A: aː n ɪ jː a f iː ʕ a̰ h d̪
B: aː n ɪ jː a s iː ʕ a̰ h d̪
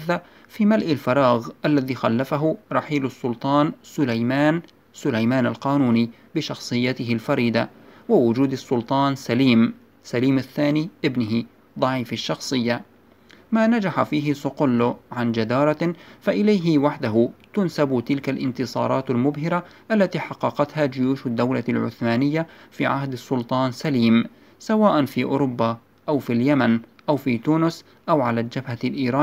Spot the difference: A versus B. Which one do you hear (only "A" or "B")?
A